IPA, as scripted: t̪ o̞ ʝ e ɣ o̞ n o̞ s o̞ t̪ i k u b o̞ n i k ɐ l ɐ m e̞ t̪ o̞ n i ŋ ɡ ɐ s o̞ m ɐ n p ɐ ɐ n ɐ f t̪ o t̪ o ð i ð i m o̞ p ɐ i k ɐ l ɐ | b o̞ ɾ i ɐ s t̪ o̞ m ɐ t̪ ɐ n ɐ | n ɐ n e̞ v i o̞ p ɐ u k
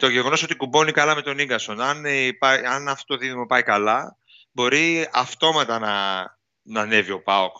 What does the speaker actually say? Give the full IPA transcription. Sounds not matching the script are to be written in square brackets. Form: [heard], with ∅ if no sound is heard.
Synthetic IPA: t̪ o̞ ʝ e ɣ o̞ n o̞ s o̞ t̪ i k u b o̞ n i k ɐ l ɐ m e̞ t̪ o̞ n i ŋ ɡ ɐ s o̞ [n] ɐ n p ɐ ɐ n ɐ f t̪ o t̪ o ð i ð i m o̞ p ɐ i k ɐ l ɐ | b o̞ ɾ i ɐ [f] t̪ o̞ m ɐ t̪ ɐ n ɐ | n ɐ n e̞ v i o̞ p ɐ [o] k